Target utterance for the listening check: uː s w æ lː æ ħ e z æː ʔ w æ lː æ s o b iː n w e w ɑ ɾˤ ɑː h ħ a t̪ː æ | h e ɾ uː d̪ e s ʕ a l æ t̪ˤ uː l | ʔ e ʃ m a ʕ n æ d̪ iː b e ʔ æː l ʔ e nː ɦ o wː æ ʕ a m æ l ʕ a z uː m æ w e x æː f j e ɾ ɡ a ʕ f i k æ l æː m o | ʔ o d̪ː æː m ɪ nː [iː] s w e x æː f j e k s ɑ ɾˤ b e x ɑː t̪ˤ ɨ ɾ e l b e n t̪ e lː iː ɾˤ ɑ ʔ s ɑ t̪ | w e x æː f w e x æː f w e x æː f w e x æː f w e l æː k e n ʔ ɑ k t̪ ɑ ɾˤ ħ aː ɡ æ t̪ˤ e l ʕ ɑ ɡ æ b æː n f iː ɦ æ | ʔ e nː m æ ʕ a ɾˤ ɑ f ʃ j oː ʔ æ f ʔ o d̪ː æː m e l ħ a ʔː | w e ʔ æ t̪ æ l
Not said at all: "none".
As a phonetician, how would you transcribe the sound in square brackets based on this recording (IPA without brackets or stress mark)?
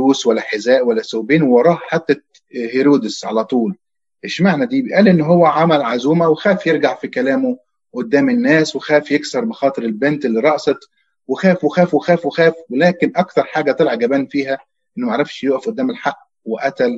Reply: æː